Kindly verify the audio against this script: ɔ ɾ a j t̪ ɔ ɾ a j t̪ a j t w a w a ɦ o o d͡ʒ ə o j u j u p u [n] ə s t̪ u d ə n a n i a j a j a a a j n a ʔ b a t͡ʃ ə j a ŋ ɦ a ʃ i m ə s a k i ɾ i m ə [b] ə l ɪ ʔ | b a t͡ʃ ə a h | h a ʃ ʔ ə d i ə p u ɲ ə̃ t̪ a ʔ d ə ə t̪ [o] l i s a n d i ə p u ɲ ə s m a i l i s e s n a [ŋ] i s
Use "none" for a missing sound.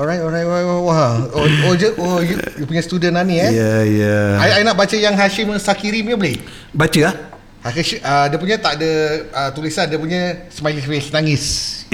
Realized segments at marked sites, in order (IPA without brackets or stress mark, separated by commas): ɲ, b, u, ŋ